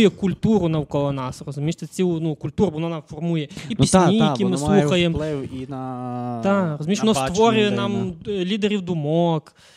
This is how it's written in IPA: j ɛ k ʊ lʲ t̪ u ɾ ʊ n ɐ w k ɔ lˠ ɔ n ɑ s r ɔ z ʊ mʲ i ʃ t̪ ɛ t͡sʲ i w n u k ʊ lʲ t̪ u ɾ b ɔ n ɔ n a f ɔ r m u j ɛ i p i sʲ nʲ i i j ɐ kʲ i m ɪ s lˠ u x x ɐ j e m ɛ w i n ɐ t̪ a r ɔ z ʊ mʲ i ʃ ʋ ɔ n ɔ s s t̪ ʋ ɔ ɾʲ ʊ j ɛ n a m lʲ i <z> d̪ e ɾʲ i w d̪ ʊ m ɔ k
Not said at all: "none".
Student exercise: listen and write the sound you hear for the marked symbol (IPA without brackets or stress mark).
none